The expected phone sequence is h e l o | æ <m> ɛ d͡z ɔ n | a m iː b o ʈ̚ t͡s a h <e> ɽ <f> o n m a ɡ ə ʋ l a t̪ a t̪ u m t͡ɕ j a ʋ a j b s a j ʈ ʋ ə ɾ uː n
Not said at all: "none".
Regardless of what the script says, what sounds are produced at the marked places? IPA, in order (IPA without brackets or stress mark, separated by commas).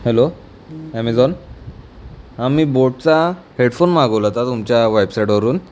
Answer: m, e, f